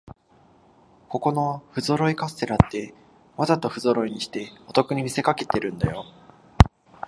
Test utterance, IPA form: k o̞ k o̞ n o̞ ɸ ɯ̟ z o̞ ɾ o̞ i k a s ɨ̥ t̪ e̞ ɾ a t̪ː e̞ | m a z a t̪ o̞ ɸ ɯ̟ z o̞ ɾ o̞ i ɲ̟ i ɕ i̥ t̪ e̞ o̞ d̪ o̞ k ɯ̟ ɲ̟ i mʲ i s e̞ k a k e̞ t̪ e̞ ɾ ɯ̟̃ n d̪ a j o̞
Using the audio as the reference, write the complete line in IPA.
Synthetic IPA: k o̞ k o̞ n o̞ ɸ ɯ̟ z o̞ ɾ o̞ i k a s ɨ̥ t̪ e̞ ɾ a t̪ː e̞ | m a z a t̪ o̞ ɸ ɯ̟ z o̞ ɾ o̞ i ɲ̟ i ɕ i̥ t̪ e̞ o̞ t̪ o̞ k ɯ̟ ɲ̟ i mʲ i s e̞ k a k e̞ t̪ e̞ ɾ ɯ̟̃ n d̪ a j o̞